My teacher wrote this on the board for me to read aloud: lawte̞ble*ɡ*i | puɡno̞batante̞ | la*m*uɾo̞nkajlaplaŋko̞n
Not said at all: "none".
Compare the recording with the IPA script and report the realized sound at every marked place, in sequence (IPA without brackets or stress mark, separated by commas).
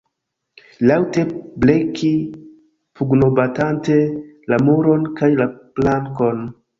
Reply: k, m